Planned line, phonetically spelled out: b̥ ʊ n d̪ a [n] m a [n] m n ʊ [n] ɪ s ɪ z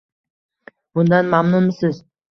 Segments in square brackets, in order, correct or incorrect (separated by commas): correct, incorrect, incorrect